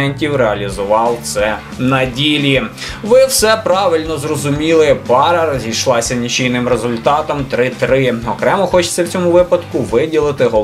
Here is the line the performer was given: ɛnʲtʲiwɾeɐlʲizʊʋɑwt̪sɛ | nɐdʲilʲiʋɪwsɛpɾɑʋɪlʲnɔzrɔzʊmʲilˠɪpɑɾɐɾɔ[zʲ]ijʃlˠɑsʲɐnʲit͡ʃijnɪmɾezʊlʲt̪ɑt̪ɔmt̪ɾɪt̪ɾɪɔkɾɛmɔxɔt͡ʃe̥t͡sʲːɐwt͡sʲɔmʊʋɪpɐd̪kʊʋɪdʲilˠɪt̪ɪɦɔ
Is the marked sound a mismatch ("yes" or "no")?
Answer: no